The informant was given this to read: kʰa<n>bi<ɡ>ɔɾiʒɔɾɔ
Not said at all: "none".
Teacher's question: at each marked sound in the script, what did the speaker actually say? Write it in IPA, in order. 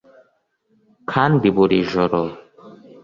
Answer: n, b

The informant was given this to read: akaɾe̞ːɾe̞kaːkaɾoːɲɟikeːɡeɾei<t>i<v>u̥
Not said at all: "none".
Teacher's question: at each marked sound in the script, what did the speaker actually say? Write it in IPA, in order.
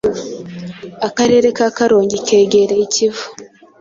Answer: c, v

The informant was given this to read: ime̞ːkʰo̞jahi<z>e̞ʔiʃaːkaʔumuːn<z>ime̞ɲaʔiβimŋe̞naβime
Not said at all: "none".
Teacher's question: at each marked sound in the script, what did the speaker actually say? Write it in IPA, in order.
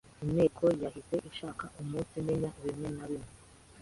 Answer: s, s

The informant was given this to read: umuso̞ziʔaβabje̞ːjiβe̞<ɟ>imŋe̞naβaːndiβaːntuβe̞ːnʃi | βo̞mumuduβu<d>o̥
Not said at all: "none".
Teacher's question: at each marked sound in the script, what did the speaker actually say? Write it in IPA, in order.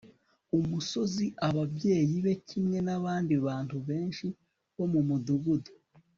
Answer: c, d

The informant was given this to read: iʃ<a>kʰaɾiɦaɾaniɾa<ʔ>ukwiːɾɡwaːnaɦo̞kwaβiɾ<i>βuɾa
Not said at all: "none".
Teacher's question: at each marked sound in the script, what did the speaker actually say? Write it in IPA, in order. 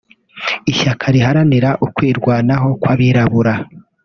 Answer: a, ʔ, a

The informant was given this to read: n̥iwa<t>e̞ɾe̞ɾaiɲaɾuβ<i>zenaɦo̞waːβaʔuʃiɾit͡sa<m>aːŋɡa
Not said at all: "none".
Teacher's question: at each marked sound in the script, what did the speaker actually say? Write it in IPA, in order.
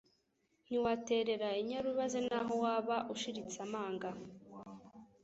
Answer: t, a, m

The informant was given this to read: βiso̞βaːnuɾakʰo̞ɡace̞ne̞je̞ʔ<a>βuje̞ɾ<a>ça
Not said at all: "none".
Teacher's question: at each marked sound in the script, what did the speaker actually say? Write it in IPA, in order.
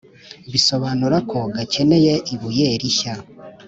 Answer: i, i

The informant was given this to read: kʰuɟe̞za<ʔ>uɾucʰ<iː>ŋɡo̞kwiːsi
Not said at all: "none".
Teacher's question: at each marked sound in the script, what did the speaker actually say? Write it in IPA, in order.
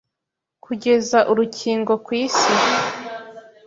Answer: ʔ, iː

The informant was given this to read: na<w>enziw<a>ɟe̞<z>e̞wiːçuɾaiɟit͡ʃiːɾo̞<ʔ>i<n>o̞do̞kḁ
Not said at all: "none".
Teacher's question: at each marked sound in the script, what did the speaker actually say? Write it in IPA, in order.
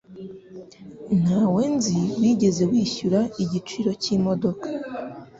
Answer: w, i, z, c, m

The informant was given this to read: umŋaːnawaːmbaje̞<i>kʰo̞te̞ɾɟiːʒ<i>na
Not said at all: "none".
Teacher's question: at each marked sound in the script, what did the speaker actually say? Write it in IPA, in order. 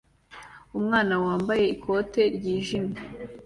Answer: i, i

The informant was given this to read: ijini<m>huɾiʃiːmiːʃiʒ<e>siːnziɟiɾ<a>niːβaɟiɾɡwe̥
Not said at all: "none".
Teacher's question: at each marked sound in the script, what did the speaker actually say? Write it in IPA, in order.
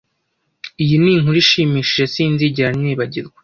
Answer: ŋ, e, a

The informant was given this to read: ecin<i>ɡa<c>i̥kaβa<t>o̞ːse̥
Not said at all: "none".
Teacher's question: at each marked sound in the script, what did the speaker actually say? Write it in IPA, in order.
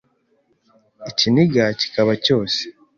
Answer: i, c, c

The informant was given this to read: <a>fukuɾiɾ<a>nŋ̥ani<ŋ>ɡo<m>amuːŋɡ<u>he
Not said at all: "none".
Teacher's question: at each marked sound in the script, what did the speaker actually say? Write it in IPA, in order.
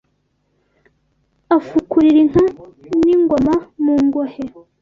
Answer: a, i, ŋ, m, o

